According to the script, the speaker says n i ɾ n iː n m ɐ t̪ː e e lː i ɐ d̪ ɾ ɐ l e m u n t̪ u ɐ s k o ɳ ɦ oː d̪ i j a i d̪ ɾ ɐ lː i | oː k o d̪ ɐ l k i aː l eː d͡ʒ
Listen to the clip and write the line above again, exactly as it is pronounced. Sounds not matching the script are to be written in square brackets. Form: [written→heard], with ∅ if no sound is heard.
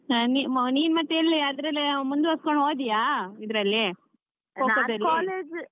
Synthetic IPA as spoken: n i [ɾ→∅] n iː n m ɐ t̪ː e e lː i ɐ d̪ ɾ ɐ l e m u n [t̪→d̪] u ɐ s k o ɳ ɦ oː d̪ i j a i d̪ ɾ ɐ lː i | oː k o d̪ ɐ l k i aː l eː d͡ʒ

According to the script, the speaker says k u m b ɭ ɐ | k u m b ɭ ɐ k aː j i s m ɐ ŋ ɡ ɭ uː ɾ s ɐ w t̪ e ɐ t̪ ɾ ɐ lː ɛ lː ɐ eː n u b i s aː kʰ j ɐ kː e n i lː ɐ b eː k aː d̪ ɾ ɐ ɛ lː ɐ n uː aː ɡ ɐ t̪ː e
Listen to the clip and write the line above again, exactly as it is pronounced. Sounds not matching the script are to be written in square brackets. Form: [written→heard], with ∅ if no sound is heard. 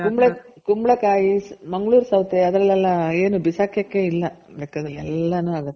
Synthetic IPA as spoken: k u m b ɭ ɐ | k u m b ɭ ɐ k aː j i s m ɐ ŋ ɡ ɭ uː ɾ s ɐ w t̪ e ɐ [t̪→d̪] ɾ ɐ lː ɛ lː ɐ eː n u b i s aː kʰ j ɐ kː e [n→∅] i lː ɐ b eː k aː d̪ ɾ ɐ ɛ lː ɐ n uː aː ɡ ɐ t̪ː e

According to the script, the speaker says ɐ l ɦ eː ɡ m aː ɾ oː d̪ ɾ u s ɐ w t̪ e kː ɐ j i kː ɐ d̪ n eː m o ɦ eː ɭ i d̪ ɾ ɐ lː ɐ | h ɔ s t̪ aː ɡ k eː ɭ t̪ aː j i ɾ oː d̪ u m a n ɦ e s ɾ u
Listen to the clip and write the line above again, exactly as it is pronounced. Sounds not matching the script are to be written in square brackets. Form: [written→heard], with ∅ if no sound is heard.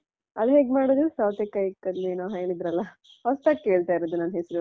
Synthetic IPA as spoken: ɐ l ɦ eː ɡ m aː [ɾ→ɽ] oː d̪ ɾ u s ɐ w t̪ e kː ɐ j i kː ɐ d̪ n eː [m→n] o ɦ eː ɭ i d̪ ɾ ɐ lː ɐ | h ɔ s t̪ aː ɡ k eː ɭ t̪ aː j i ɾ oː d̪ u [m→n] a n ɦ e s ɾ u

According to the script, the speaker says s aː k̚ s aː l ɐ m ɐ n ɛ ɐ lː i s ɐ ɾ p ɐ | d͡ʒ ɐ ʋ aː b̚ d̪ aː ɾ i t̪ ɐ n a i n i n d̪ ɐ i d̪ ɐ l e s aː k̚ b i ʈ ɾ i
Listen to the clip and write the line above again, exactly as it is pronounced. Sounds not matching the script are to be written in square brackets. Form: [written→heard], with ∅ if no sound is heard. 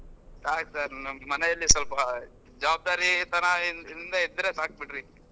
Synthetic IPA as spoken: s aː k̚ s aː [l→ɾ] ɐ m ɐ n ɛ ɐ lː i s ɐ [ɾ→l] p ɐ | d͡ʒ ɐ ʋ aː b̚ d̪ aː ɾ i t̪ ɐ n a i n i n d̪ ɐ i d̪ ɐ [l→ɾ] e s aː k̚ b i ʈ ɾ i

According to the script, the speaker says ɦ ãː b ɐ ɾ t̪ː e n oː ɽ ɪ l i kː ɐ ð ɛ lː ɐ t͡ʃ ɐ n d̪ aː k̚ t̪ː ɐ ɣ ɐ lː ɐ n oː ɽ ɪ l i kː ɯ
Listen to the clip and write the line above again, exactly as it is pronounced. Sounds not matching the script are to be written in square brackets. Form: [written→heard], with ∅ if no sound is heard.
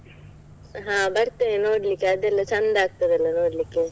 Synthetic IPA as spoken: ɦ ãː b ɐ ɾ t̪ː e n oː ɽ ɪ l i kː ɐ ð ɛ lː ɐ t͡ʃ ɐ n d̪ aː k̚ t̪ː ɐ [ɣ→ð] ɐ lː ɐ n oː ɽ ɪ l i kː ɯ

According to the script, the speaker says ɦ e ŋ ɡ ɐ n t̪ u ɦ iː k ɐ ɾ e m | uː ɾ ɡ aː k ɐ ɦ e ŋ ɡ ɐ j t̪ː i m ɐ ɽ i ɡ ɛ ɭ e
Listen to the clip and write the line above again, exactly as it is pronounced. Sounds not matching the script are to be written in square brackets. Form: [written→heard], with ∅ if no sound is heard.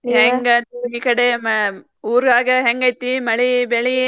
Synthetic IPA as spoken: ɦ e ŋ ɡ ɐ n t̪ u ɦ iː k ɐ [ɾ→ɽ] e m | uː ɾ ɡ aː [k→ɡ] ɐ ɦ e ŋ ɡ ɐ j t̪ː i m ɐ [ɽ→ɭ] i [ɡ→b] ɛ ɭ [e→i]

